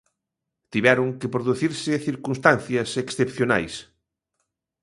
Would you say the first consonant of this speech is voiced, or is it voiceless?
voiceless